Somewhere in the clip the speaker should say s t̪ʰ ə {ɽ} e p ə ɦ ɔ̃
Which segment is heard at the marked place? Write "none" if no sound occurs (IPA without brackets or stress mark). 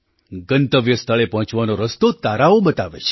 ɭ